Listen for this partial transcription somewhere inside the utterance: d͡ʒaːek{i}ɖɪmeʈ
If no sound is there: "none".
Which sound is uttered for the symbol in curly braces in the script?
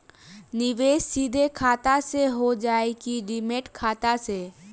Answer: i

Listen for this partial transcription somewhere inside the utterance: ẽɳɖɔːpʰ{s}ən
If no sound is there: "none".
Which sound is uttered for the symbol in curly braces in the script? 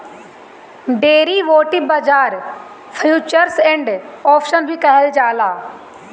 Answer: ʃ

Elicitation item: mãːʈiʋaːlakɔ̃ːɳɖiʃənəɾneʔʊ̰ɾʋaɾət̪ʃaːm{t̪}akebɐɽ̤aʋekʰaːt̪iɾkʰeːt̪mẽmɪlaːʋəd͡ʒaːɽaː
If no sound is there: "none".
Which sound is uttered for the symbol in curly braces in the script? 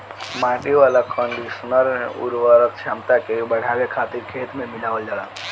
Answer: t̪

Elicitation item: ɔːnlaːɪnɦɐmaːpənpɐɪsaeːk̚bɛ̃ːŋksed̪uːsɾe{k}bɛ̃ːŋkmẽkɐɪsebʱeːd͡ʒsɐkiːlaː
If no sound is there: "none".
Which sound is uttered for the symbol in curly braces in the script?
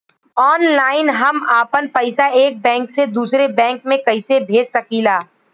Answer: none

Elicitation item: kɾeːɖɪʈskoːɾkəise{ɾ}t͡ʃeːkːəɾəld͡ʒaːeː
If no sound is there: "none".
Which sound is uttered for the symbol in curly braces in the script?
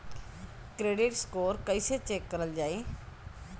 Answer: none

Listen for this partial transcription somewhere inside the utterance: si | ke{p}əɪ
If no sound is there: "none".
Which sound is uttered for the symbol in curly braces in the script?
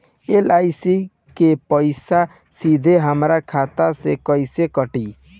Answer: p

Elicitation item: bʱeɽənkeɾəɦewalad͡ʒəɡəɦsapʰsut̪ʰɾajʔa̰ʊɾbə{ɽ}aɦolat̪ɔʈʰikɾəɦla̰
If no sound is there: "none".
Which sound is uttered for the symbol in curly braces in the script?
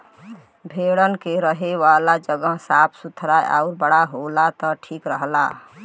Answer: ɽ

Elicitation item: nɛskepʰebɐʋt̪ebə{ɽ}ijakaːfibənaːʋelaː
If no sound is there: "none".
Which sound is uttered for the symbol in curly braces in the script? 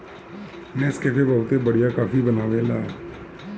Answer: ɽ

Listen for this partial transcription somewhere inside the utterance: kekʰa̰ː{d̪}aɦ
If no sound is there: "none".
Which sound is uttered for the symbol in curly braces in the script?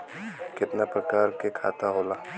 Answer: t̪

